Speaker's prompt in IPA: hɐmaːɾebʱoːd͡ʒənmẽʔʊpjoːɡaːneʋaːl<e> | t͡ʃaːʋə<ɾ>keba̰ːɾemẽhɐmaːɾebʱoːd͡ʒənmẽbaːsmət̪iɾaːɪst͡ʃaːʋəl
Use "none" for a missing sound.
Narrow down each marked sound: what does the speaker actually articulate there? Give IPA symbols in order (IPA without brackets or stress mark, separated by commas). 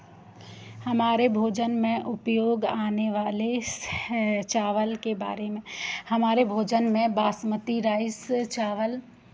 e, l